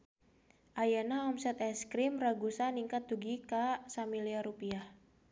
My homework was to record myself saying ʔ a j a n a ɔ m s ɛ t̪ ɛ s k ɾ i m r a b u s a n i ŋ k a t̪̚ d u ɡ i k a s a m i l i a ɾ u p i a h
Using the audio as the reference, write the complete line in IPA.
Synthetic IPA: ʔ a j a n a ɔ m s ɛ t̪ ɛ s k ɾ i m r a ɡ u s a n i ŋ k a t̪̚ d u ɡ i k a s a m i l i a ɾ u p i a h